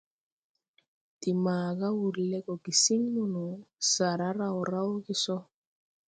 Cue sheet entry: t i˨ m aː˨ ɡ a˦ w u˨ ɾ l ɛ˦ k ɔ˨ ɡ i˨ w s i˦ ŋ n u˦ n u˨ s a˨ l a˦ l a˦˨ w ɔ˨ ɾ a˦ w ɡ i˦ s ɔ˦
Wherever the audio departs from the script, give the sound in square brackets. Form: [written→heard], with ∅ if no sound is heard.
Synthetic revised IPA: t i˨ m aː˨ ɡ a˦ w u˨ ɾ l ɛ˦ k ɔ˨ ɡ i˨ [w→∅] s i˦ ŋ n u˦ n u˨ s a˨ [l→ɾ] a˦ [l→ɾ] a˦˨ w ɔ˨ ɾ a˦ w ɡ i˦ s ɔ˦